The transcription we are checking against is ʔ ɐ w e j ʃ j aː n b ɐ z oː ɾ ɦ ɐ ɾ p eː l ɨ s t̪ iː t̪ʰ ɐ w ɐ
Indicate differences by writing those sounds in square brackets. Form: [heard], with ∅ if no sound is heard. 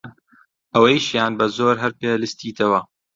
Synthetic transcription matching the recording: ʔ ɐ w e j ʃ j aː n b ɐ z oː ɾ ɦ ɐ ɾ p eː l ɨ s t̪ iː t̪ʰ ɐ w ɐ

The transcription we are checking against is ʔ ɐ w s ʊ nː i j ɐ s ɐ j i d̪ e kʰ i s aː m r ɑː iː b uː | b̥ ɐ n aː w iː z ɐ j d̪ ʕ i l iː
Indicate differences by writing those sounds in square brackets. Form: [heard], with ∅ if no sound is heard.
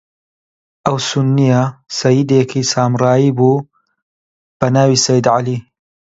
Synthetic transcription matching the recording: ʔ ɐ w s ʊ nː i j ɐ s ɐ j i d̪ e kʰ i s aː m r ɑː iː b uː | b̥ ɐ n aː w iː [s] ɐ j d̪ ʕ [a] l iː

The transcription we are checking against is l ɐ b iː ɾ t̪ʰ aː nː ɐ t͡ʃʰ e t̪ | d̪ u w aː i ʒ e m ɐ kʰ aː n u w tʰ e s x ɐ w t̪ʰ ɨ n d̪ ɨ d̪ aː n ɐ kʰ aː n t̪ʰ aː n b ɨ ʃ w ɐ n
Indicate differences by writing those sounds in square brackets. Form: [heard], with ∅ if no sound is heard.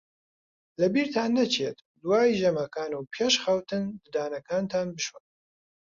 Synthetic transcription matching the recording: l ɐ b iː ɾ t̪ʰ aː nː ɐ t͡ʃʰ e t̪ | d̪ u w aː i ʒ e m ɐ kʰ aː n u w [pʰ] e [ʃ] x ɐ w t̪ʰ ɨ n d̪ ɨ d̪ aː n ɐ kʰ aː n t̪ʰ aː n b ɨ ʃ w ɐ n

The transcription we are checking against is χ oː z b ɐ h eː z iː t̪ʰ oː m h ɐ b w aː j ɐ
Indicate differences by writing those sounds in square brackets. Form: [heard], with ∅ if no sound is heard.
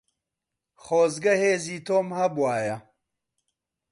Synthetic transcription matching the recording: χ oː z [ɡ] ɐ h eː z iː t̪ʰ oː m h ɐ b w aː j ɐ

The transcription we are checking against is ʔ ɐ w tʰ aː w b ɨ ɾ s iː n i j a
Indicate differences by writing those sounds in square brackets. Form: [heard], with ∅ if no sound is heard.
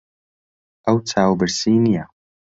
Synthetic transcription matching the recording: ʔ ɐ w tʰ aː w b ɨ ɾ s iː n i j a

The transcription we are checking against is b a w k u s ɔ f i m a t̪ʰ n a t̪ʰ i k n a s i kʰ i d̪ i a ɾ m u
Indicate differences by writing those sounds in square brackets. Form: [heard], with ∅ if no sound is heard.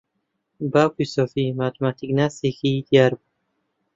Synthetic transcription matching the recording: b a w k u s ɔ f i m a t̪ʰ [m] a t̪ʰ i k n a s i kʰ i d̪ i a ɾ [b] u

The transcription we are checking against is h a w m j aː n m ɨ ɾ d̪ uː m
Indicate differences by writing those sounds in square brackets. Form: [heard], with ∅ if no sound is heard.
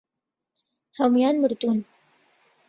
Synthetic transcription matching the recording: h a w m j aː n m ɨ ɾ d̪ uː [n]

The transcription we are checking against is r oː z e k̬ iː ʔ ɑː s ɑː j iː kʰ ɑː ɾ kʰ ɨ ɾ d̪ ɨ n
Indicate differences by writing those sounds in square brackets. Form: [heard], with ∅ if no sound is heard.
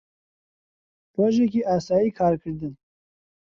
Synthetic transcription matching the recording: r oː [ʒ] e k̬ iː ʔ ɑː s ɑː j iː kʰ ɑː ɾ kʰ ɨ ɾ d̪ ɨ n

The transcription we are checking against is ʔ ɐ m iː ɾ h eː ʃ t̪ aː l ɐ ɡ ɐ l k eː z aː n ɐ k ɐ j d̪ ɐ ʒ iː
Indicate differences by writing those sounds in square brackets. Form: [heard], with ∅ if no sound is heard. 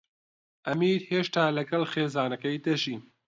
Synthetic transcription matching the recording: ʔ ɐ m iː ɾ h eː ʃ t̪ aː l ɐ ɡ ɐ l [x] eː z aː n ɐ k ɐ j d̪ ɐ ʒ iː

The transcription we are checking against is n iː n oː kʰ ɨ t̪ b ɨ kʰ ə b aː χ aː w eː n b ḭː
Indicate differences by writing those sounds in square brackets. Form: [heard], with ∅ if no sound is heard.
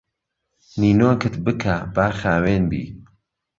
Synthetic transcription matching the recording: n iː n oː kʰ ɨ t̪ b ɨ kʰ [a] b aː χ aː w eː n b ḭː

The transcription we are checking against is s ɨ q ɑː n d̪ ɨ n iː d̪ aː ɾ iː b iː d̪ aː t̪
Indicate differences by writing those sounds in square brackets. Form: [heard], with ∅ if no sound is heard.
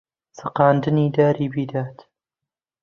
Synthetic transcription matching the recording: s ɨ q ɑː n d̪ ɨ n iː d̪ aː ɾ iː b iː d̪ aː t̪

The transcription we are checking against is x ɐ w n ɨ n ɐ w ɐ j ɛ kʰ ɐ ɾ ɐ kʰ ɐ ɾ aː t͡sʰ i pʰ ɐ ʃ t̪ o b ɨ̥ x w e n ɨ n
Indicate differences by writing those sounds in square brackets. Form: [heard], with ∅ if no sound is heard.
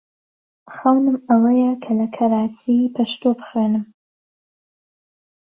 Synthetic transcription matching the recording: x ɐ w n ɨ [m] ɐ w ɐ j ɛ kʰ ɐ [l] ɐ kʰ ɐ ɾ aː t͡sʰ i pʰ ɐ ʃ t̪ o b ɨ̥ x w e n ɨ [m]

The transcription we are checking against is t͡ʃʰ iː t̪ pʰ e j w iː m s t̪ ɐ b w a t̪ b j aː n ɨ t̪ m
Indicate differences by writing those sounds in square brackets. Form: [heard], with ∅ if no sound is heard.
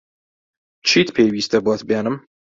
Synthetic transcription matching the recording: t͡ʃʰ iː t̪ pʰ e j w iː [∅] s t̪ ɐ b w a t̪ b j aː n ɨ [∅] m

